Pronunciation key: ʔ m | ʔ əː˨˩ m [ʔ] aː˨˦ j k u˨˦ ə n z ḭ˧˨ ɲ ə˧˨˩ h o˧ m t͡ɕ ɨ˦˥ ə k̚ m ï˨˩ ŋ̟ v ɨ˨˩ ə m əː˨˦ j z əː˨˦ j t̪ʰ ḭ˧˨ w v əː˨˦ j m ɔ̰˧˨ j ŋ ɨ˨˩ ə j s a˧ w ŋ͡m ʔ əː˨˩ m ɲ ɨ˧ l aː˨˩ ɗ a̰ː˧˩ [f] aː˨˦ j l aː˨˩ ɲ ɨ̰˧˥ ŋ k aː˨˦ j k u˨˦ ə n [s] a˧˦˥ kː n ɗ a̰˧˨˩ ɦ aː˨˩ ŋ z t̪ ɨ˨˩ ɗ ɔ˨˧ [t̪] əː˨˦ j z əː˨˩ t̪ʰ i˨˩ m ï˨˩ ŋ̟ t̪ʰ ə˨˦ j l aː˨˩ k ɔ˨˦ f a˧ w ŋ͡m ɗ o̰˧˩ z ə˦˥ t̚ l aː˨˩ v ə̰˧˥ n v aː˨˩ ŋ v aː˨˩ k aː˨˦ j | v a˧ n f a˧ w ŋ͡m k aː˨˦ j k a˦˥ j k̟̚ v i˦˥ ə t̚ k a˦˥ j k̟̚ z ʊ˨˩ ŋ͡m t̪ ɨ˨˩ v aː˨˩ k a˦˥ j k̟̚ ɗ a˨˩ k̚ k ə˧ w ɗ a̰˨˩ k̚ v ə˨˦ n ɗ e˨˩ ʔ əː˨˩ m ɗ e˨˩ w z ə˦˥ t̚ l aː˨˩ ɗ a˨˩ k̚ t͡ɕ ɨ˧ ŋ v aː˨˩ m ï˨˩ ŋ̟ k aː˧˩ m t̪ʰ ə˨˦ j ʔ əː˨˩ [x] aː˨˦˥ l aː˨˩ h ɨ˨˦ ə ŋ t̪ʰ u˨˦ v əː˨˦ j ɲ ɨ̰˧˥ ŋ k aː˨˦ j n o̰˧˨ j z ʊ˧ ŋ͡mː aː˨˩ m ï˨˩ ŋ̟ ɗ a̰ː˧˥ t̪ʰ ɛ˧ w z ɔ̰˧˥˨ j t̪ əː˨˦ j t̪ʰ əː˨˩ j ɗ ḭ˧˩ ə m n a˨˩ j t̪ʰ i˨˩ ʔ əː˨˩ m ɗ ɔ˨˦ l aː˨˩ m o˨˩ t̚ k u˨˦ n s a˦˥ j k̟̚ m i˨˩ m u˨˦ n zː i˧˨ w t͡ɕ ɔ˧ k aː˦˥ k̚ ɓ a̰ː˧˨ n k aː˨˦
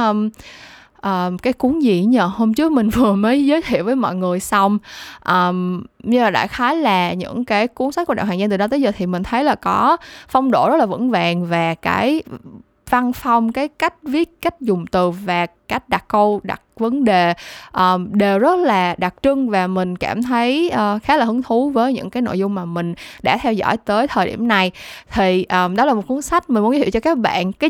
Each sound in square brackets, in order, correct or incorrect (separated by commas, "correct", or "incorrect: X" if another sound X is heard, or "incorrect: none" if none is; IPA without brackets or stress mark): incorrect: k, incorrect: x, correct, correct, correct